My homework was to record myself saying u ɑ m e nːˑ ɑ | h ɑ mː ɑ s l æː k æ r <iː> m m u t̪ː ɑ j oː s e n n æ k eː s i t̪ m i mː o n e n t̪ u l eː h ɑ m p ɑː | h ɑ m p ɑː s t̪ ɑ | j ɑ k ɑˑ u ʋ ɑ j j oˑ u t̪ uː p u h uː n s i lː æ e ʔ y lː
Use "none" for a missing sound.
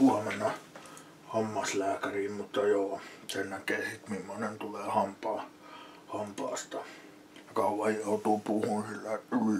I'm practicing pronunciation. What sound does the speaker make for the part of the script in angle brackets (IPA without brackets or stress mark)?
iː